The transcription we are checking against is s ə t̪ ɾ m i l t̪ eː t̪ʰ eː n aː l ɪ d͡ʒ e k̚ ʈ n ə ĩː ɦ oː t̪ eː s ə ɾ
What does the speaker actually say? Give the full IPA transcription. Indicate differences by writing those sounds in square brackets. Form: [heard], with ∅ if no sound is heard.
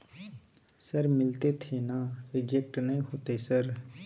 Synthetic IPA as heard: s ə [∅] ɾ m [ɪ] l t̪ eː t̪ʰ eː n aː [ɾ] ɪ d͡ʒ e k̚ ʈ n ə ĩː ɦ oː t̪ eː s ə ɾ